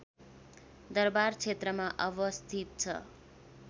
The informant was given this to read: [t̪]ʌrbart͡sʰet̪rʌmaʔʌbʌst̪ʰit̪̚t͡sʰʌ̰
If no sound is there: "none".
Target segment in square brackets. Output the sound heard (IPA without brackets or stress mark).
d̪